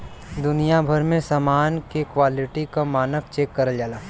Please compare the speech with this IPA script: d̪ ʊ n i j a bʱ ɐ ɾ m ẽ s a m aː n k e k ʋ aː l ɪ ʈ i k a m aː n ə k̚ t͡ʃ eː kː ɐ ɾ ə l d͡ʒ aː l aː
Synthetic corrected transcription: d̪ ʊ n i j a bʱ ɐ ɾ m ẽ s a m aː n k e k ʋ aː l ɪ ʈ i k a m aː n ə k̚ t͡ʃ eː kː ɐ ɾ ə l d͡ʒ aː l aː